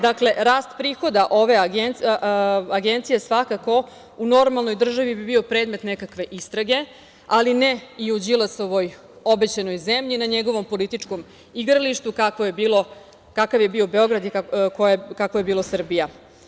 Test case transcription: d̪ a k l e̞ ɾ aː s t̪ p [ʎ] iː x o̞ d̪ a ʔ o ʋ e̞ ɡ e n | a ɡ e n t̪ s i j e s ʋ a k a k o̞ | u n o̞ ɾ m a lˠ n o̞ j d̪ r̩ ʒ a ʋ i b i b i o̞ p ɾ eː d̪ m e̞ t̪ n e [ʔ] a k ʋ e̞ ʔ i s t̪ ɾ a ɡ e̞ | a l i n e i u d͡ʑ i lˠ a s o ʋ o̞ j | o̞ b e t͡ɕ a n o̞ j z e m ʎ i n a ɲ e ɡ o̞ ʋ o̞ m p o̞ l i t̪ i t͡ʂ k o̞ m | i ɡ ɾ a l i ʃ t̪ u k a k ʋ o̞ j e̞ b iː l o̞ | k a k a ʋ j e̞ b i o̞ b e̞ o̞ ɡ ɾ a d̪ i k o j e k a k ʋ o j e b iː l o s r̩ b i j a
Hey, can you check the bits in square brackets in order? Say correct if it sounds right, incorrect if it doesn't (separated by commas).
incorrect, incorrect